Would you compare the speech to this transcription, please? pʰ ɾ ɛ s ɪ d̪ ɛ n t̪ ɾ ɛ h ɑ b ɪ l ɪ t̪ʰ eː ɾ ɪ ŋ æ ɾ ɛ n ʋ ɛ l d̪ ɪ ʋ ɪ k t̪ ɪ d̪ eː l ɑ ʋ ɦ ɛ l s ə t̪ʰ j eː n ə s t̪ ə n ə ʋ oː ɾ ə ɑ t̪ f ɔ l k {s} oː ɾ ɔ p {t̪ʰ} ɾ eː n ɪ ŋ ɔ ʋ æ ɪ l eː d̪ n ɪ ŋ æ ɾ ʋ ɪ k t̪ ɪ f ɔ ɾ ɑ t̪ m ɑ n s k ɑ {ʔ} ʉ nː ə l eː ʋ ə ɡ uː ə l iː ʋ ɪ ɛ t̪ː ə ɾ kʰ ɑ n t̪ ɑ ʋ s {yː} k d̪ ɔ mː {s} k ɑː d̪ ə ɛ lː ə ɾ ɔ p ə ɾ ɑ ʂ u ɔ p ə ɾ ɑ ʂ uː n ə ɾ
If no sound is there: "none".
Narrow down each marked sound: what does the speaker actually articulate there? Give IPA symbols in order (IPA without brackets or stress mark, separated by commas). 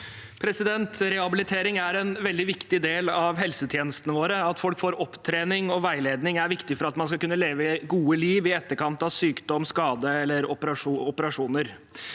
f, t̪ʰ, k, yː, s